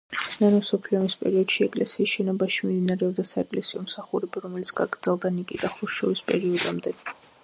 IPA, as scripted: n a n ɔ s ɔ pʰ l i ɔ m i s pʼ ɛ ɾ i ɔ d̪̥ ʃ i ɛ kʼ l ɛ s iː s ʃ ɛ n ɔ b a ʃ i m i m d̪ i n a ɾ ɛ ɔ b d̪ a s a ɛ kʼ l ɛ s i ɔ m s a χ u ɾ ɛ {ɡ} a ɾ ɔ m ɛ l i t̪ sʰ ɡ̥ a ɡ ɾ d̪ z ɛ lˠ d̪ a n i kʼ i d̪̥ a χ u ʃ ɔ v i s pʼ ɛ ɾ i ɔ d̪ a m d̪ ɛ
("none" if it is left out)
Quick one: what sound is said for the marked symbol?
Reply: b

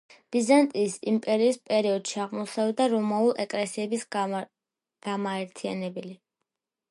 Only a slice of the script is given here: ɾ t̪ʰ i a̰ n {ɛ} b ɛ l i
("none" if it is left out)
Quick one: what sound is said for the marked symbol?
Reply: ɛ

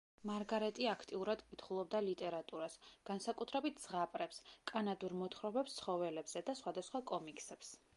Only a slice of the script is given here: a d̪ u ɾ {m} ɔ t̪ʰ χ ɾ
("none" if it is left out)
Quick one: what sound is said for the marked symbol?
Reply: m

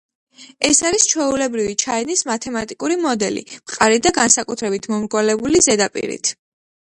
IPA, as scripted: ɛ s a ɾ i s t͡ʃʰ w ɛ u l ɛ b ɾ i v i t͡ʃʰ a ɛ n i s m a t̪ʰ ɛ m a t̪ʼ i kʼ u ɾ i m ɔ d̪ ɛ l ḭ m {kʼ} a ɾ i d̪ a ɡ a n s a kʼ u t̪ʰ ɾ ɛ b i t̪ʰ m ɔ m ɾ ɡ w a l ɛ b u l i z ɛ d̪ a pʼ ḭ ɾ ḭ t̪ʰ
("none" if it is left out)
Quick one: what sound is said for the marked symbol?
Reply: qʼ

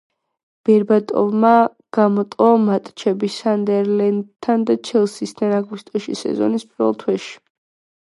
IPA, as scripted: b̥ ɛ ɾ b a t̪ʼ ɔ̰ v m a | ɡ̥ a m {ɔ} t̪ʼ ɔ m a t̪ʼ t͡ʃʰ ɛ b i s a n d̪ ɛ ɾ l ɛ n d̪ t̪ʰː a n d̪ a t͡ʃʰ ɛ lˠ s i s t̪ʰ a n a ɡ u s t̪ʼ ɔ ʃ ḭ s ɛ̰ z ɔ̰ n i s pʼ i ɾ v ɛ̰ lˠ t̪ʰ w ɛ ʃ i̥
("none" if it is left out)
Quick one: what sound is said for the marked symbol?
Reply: ɔ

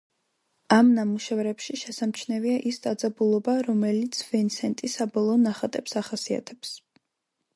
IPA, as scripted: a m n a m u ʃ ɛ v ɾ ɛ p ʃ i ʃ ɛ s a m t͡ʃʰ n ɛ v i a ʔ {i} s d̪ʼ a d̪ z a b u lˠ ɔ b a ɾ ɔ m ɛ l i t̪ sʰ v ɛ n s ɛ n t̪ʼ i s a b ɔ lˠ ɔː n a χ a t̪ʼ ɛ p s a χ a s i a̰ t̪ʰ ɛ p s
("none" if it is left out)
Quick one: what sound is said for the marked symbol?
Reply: i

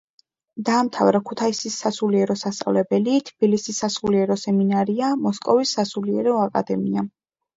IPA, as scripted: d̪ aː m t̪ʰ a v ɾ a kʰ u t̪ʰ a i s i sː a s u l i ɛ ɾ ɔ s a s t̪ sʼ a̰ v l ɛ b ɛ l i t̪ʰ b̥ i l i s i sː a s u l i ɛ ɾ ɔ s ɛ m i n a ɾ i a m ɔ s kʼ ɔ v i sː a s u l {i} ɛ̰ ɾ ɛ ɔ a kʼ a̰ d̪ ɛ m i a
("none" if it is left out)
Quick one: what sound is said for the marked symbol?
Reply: i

